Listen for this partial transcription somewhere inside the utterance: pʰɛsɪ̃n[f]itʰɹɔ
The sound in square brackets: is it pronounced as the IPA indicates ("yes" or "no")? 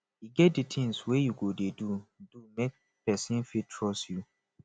yes